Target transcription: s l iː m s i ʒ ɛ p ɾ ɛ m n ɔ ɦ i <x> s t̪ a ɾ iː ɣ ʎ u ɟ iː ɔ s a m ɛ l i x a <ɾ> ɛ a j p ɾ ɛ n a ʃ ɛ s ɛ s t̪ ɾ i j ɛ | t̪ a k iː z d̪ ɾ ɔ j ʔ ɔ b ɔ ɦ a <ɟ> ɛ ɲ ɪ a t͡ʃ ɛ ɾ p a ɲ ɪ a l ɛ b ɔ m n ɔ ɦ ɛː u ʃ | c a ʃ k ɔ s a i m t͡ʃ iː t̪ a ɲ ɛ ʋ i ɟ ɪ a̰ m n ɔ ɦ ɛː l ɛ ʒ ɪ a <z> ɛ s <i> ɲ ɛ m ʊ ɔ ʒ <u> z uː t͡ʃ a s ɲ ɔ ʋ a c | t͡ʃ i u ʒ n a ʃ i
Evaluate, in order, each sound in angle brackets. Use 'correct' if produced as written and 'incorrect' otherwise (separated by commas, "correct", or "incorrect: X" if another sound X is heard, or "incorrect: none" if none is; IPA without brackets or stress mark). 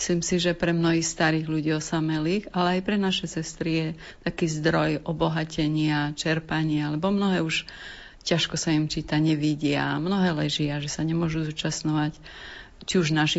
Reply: correct, incorrect: l, incorrect: c, incorrect: ʒ, incorrect: a, correct